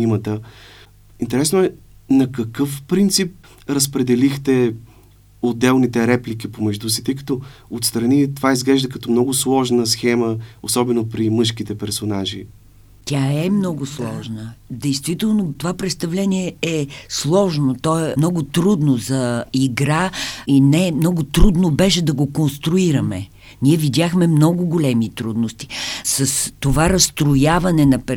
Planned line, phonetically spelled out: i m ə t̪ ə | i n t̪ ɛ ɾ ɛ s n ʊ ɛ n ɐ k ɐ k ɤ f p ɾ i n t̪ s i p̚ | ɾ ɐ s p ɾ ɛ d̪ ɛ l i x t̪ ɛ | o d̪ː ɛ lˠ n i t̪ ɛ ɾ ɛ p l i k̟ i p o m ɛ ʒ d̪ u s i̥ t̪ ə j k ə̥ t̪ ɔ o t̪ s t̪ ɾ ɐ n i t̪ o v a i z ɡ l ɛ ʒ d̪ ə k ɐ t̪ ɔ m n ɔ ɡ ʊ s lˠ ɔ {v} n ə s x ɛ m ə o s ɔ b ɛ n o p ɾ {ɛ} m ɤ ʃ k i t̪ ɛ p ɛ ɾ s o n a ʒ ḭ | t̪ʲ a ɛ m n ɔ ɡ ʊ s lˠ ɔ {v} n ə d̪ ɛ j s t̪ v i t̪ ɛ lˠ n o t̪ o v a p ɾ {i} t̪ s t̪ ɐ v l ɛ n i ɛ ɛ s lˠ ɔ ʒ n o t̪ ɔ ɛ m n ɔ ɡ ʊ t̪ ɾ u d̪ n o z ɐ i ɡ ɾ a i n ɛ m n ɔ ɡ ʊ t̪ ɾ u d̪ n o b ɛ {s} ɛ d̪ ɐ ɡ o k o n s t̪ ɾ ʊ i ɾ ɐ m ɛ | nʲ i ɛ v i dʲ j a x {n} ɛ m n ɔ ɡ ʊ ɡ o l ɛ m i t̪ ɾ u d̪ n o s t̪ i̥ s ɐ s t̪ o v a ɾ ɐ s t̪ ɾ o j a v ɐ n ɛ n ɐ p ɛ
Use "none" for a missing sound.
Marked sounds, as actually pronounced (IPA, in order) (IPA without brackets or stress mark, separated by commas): ʒ, i, ʒ, ɛ, ʃ, m